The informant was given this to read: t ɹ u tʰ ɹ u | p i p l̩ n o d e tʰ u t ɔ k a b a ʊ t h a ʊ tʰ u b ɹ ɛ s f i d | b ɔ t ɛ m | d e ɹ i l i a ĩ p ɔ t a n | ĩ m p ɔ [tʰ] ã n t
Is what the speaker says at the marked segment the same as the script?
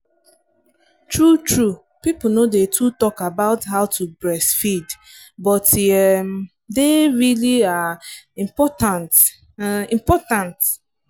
no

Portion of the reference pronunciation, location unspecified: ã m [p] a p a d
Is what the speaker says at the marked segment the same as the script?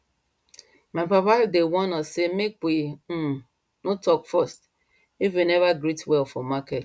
yes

